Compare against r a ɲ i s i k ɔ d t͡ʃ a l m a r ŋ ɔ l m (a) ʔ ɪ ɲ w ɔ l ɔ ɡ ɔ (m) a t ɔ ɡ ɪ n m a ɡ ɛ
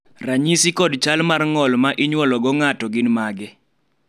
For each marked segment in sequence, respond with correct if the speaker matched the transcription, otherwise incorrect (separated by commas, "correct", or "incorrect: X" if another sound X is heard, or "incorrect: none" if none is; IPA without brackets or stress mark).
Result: correct, incorrect: ŋ